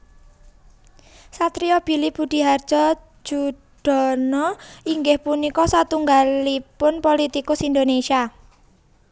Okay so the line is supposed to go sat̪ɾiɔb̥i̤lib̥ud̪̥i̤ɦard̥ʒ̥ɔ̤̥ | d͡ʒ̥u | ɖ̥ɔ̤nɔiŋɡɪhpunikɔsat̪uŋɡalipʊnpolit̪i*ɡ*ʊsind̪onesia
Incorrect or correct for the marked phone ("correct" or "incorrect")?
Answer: incorrect